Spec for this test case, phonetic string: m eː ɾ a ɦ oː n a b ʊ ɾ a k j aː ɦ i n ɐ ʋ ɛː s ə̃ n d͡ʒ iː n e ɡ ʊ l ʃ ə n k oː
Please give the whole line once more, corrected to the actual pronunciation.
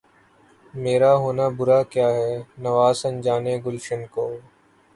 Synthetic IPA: m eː ɾ a ɦ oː n a b ʊ ɾ a k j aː ɦ ɛ n ɐ ʋ aː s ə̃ n d͡ʒ aː n e ɡ ʊ l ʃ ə n k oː